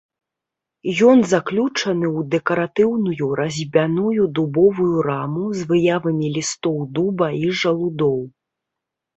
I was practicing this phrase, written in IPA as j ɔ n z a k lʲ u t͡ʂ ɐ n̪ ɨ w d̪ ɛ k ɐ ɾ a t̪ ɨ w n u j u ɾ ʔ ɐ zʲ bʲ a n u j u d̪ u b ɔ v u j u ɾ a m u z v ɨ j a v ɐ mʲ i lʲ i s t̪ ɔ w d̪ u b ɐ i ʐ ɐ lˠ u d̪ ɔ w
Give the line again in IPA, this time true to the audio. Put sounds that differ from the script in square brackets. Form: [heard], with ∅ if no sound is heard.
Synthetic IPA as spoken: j ɔ n z a k lʲ u t͡ʂ ɐ n̪ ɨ w d̪ ɛ k ɐ ɾ a t̪ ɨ w n u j u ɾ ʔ ɐ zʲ bʲ a n u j u d̪ u b ɔ v u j u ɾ a m u z v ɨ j a v ɐ mʲ i lʲ i s t̪ ɔ w d̪ u b ɐ i ʐ ɐ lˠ u d̪ ɔ w